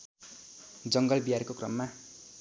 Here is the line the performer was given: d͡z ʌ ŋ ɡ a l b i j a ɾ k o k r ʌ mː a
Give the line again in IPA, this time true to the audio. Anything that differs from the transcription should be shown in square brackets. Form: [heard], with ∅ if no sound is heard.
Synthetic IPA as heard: d͡z ʌ ŋ ɡ [ʌ] l b i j a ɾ k o k r ʌ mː a